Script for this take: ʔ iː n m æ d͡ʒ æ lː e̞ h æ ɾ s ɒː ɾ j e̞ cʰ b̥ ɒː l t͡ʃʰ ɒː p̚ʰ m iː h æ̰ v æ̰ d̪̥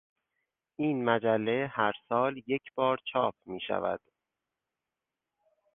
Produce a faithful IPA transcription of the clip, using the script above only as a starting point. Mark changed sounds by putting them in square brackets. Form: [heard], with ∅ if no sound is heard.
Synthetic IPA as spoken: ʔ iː n m æ d͡ʒ æ lː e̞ h æ ɾ s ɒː [l] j e̞ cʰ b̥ ɒː [ɾ] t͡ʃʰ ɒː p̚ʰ m iː [ʃ] æ̰ v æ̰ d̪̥